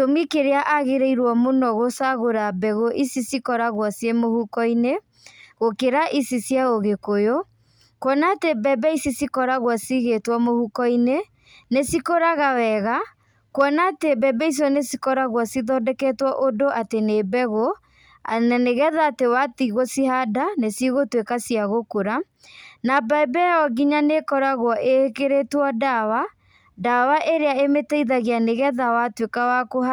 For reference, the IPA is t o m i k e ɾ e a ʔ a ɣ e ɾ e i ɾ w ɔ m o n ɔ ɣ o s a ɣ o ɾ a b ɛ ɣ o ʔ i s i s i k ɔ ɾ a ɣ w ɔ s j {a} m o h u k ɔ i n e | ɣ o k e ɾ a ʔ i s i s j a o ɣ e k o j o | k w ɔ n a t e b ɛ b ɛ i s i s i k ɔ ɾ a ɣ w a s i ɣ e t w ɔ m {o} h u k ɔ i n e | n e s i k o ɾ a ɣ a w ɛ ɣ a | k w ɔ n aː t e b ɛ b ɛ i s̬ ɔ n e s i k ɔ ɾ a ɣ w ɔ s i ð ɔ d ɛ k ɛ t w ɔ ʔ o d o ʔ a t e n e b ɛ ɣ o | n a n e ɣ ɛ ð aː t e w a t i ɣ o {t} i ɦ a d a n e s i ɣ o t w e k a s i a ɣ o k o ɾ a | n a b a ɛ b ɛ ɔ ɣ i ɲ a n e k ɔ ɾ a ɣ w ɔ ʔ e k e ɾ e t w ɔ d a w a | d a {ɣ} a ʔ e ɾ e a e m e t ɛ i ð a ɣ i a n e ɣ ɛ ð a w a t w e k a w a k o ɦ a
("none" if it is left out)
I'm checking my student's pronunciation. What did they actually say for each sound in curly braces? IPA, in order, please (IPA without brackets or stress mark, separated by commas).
e, o, s, w